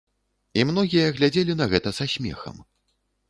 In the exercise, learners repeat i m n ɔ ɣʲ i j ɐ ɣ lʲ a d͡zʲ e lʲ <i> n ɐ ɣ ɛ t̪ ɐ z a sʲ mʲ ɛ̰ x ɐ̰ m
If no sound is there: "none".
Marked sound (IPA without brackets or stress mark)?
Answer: i